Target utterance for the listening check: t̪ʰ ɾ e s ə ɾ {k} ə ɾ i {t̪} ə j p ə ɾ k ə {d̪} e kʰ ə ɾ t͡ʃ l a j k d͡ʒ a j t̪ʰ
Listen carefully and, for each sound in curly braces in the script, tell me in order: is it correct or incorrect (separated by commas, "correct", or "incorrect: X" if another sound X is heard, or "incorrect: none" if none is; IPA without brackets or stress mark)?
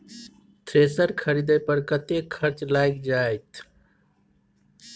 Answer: incorrect: kʰ, incorrect: d̪, incorrect: t̪